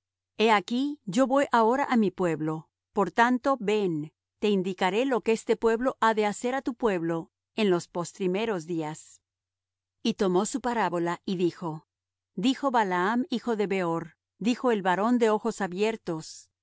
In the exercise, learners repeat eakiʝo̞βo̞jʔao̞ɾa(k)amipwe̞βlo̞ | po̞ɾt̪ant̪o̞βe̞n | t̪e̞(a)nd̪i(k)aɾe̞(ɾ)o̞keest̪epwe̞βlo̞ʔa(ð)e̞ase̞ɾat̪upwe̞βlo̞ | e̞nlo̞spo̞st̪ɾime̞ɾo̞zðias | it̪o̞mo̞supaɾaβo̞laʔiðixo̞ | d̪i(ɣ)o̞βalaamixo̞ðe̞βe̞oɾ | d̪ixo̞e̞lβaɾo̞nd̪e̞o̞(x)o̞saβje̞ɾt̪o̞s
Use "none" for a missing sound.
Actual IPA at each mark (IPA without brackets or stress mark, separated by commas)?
ʔ, i, k, l, ð, x, x